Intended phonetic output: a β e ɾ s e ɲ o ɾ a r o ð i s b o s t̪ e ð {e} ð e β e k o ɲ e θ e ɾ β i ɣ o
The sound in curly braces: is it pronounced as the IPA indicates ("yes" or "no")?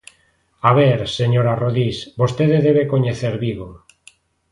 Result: yes